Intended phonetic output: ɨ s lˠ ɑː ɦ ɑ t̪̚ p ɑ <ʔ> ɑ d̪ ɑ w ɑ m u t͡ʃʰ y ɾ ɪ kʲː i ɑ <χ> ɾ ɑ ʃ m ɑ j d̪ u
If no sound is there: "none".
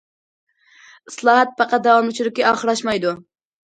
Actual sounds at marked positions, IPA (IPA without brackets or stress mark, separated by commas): q, χ